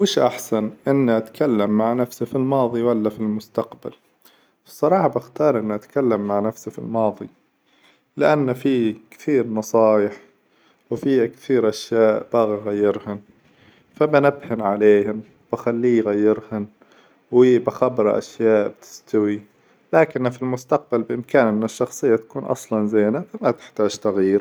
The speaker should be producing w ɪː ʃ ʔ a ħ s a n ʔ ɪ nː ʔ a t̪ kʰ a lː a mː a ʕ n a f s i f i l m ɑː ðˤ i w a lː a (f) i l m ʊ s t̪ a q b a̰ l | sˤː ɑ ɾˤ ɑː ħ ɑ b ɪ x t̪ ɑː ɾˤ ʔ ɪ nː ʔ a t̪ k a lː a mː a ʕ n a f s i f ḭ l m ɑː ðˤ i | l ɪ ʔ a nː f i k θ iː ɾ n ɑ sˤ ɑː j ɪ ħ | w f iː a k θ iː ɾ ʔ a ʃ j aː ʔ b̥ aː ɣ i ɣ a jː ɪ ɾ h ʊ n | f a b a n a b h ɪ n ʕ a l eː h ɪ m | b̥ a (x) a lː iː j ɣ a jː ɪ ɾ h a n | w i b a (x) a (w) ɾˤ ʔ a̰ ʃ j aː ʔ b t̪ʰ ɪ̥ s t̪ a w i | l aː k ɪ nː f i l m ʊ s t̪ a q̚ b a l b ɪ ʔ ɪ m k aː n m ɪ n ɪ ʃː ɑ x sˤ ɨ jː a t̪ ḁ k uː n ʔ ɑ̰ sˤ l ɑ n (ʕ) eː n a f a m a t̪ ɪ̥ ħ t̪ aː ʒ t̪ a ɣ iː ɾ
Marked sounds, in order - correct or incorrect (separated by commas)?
correct, correct, correct, incorrect, incorrect